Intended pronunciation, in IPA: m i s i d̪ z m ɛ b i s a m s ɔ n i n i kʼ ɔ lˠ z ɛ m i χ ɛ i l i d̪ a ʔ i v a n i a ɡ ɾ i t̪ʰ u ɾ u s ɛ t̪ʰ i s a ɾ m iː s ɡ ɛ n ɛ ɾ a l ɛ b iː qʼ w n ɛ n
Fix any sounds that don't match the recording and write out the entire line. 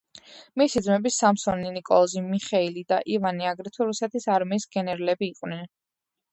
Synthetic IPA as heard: m i s i d̪ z m ɛ b i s a m s ɔ n i n i kʼ ɔ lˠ z i m i χ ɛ i l i d̪ a ʔ i v a n i a ɡ ɾ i t̪ʰ u ɾ u s ɛ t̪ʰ i s a ɾ m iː s ɡ ɛ n ɛ ɾ a l ɛ b iː qʼ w n ɛ n